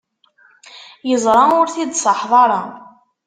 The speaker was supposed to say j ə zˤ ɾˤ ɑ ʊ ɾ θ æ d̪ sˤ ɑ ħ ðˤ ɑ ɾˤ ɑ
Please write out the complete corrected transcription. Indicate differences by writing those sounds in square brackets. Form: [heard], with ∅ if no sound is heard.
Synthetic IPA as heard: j ə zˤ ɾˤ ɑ ʊ ɾ θ [i] d̪ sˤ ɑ ħ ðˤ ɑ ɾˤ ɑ